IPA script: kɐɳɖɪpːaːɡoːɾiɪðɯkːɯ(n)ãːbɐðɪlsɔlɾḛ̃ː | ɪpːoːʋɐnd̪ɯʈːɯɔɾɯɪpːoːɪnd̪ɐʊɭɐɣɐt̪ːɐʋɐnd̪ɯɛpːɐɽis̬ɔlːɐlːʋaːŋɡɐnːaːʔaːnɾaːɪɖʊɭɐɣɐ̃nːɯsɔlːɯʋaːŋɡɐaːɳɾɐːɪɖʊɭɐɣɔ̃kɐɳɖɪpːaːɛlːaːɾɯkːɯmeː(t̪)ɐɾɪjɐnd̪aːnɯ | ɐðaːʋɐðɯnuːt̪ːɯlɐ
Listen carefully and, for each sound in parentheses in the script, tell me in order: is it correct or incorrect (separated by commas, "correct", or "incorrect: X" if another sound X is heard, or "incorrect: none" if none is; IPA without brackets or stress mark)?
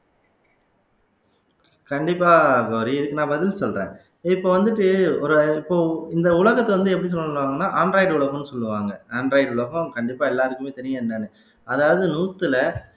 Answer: correct, correct